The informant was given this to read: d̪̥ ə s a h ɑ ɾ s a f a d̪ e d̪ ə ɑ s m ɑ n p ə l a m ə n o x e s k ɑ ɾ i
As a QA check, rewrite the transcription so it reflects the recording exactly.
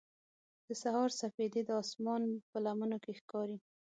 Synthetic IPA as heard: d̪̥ ə s a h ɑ ɾ s a f e d̪ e d̪ ə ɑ s m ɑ n p ə l a m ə n o k e x k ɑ ɾ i